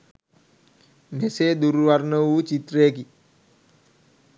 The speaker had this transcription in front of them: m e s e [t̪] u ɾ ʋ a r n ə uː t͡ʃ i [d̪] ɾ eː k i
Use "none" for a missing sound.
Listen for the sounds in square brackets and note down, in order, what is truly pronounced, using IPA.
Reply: d̪, t̪

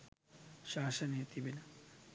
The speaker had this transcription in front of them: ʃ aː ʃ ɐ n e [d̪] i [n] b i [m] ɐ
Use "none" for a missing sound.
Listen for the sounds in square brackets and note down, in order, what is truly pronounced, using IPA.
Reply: t̪, none, n

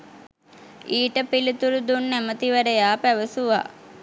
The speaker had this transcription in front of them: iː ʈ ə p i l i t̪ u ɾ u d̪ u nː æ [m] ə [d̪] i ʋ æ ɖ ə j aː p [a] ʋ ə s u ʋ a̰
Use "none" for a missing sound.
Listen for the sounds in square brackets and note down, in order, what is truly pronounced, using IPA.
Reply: m, t̪, æ

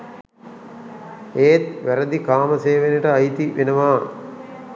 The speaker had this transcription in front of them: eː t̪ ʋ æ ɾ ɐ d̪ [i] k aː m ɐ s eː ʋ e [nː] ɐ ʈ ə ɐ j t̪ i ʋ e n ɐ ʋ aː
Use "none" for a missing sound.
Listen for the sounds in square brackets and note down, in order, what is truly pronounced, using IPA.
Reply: i, n

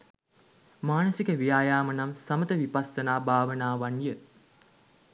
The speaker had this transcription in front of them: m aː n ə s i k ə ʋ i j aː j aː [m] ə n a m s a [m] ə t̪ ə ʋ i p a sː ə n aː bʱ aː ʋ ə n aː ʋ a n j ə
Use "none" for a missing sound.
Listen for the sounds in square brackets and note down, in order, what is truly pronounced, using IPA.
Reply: m, m

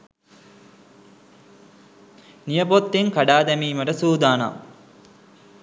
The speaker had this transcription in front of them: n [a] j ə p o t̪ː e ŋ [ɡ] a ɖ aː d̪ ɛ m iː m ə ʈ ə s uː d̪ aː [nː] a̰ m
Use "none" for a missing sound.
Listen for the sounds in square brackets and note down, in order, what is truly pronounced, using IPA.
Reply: i, k, n

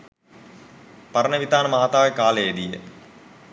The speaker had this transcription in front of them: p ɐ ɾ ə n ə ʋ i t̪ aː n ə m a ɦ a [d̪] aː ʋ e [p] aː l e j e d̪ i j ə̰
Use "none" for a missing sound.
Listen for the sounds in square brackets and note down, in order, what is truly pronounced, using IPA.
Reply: t̪, k

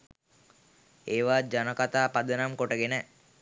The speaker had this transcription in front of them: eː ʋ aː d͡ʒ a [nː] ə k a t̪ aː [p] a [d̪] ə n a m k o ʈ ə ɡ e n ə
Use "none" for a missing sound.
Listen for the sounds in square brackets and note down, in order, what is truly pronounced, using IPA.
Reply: n, p, d̪

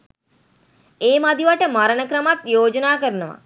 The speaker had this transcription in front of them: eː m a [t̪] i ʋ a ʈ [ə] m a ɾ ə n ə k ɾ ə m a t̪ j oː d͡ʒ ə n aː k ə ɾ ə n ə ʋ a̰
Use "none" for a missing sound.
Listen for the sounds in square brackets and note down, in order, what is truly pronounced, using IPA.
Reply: d̪, ə

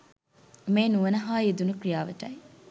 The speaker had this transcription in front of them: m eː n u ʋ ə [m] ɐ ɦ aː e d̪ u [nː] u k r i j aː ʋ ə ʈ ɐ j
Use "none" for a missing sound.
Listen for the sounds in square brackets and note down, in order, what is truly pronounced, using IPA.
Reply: n, n

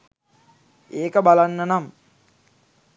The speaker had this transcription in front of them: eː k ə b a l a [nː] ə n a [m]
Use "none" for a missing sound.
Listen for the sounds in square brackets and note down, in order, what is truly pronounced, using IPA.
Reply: nː, m

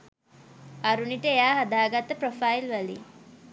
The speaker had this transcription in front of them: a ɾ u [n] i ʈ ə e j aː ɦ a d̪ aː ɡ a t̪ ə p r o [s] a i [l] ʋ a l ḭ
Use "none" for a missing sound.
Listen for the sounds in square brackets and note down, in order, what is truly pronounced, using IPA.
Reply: n, f, l

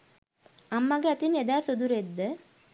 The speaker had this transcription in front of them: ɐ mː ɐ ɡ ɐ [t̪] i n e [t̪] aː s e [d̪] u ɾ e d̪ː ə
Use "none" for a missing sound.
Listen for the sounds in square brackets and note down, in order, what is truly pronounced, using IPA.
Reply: t̪, d̪, d̪

